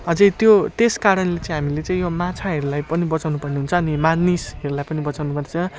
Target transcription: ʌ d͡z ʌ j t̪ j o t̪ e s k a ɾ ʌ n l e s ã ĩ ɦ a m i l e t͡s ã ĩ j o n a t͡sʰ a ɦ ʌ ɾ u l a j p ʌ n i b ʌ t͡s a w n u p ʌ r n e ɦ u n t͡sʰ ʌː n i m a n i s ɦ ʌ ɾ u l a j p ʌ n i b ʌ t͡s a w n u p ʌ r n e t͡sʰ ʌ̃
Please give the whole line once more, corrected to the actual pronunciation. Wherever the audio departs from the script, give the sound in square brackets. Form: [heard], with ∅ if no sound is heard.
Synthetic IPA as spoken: ʌ d͡z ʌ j t̪ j o t̪ e s k a ɾ ʌ n l e [t͡s] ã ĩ ɦ a m i l e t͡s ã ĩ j o [m] a t͡sʰ a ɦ ʌ ɾ u l a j p ʌ n i b ʌ t͡s a w n u p ʌ r n e ɦ u n t͡sʰ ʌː n i m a n i s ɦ ʌ ɾ u l a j p ʌ n i b ʌ t͡s a w n u p ʌ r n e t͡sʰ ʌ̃